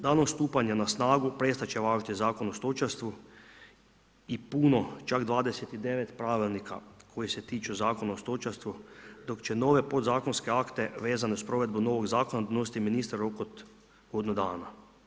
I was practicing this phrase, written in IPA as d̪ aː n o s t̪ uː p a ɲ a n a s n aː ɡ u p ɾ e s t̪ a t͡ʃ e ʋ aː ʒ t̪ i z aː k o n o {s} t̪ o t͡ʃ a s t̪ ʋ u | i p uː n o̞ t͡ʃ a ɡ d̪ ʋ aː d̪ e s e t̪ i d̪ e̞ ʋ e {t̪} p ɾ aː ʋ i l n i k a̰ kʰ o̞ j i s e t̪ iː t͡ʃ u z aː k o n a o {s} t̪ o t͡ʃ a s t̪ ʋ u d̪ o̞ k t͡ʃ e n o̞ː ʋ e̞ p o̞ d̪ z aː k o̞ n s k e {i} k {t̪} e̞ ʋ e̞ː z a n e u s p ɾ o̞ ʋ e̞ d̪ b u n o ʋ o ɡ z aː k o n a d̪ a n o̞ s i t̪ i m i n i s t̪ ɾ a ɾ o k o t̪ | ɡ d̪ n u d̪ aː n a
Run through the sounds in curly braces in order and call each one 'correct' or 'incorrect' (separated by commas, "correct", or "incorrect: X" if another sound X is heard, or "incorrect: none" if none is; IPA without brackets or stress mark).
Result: correct, correct, correct, incorrect: a, correct